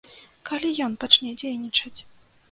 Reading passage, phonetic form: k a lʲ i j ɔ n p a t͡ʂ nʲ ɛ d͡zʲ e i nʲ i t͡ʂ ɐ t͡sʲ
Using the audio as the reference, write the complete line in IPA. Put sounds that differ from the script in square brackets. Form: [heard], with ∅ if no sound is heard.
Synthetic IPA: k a lʲ i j ɔ n p a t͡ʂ nʲ ɛ d͡zʲ e [j] nʲ i t͡ʂ ɐ t͡sʲ